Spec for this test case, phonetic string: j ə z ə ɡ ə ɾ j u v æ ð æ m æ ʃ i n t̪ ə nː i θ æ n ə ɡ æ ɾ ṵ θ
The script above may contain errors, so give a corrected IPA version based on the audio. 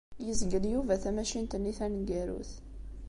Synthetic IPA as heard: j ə z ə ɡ ə l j u v æ θ æ m æ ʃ i n t̪ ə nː i θ æ n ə ɡ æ ɾ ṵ θ